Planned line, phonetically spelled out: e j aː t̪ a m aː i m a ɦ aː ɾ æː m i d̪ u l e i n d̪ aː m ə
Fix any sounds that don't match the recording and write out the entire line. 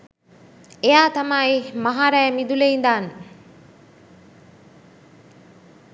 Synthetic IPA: e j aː t̪ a m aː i m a ɦ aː ɾ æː m i d̪ u l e i n d̪ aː n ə